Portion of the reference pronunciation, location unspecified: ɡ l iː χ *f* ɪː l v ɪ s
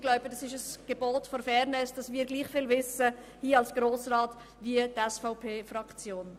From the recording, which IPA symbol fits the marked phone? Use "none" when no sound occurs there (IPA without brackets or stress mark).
f